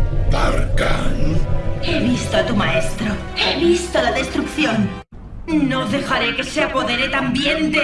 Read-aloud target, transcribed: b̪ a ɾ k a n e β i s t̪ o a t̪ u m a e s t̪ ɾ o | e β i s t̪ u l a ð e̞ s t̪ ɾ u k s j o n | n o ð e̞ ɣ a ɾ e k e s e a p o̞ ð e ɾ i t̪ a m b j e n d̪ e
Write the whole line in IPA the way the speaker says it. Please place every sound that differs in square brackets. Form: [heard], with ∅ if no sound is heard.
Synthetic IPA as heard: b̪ a ɾ k a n e β i s t̪ o a t̪ u m a e s t̪ ɾ o | e β i s t̪ [o] l a ð e̞ s t̪ ɾ u k [θ] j o n | n o ð e̞ [x] a ɾ e k e s e a p o̞ ð e ɾ [e] t̪ a m b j e n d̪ e